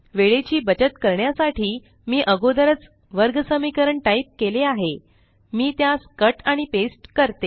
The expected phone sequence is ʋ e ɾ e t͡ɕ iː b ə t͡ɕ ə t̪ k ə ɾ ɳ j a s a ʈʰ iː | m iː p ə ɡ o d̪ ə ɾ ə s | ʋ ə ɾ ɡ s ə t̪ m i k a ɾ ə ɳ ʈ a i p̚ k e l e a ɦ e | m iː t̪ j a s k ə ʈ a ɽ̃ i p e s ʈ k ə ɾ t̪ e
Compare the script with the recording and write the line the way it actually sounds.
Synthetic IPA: ʋ e ɭ e t͡ɕ iː b ə t͡ɕ ə t̪ k ə ɾ ɳ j a s a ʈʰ iː | m iː ʔ ə ɡ o d̪ ə ɾ ə t͡s | ʋ ə ɾ ɡ s ə m i k ə ɾ ə ɳ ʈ a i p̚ k e l e a ɦ e | m iː t̪ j a s k ə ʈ a ɽ̃ i p e s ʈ k ə ɾ t̪ e